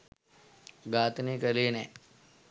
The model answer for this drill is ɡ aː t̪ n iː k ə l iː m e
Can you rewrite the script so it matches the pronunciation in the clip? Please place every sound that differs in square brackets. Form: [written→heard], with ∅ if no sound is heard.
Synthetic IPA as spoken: ɡ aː t̪ n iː k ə l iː [m→n] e